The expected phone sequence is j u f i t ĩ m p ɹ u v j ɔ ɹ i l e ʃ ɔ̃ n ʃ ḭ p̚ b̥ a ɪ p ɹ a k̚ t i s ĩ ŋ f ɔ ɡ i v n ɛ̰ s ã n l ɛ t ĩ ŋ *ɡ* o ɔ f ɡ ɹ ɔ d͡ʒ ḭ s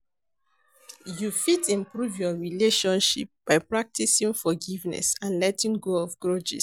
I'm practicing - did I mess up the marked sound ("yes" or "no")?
no